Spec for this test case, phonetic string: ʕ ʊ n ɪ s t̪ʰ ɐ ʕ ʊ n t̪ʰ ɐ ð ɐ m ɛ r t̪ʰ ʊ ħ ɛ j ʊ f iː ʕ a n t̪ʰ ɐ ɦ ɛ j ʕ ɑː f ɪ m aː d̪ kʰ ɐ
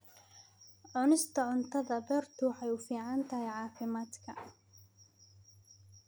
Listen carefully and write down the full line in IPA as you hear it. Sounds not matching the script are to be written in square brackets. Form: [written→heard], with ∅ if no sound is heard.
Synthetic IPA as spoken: ʕ ʊ n ɪ s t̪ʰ ɐ ʕ ʊ n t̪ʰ ɐ ð ɐ [m→b] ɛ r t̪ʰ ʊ ħ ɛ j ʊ f iː ʕ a n t̪ʰ ɐ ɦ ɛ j ʕ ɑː f ɪ m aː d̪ kʰ ɐ